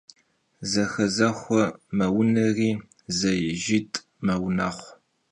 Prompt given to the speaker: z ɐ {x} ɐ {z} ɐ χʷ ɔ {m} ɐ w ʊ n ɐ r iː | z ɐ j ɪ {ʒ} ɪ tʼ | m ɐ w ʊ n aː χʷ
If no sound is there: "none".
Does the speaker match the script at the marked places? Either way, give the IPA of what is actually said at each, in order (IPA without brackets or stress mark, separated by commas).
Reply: x, z, m, ʒ